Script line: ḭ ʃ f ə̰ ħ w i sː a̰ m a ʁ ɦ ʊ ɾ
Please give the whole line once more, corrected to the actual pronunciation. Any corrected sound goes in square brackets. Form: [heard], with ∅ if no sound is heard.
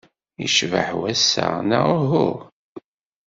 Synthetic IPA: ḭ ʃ [v] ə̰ ħ w [æ] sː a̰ [n] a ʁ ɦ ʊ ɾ